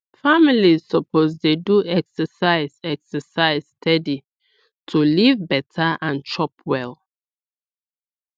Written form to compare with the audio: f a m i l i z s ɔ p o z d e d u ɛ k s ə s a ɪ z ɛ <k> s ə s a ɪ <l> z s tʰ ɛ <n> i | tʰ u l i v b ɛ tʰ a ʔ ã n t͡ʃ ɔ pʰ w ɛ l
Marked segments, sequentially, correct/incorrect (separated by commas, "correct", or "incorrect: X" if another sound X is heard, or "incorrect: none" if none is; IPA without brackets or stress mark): correct, incorrect: none, incorrect: d